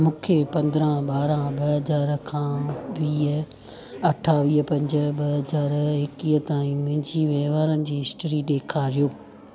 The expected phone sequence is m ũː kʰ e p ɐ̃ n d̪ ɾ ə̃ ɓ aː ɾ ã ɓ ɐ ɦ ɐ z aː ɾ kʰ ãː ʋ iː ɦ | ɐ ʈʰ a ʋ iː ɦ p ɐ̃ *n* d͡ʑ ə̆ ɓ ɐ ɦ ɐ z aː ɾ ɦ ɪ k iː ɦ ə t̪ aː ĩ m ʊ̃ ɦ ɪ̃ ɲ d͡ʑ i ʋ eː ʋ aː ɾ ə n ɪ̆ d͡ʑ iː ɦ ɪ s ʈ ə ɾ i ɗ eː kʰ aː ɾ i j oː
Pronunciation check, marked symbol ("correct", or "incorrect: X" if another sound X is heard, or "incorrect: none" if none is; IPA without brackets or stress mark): incorrect: ɲ